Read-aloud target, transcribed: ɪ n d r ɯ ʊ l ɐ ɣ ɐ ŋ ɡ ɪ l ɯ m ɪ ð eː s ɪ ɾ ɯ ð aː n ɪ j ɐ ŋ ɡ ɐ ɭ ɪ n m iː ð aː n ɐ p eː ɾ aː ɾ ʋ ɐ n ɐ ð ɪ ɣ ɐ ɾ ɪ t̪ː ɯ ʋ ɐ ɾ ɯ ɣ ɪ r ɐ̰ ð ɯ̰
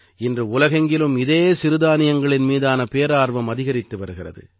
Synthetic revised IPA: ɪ n d r ɯ ʊ l ɐ ɣ ɐ ŋ ɡ ɪ l ɯ m ɪ ð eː s ɪ ɾ ɯ ð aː n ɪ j ɐ ŋ ɡ ɐ ɭ ɪ n m iː ð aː n ɐ p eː ɾ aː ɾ ʋ ɐ m ɐ ð ɪ ɣ ɐ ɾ ɪ t̪ː ɯ ʋ ɐ ɾ ɯ ɣ ɪ r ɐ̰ ð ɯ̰